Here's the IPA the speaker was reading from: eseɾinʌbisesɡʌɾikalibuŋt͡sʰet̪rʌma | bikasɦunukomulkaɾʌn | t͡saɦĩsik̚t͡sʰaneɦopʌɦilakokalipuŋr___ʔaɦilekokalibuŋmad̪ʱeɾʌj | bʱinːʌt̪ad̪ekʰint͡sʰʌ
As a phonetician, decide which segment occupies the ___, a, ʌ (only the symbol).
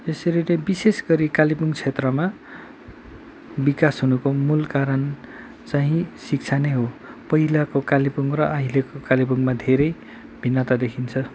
ʌ